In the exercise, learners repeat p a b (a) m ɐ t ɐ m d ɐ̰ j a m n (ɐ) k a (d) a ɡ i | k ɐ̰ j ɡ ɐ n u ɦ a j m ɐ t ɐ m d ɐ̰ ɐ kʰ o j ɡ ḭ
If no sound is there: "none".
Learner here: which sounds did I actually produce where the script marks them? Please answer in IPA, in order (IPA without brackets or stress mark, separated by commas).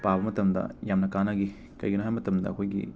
ɐ, ɐ, n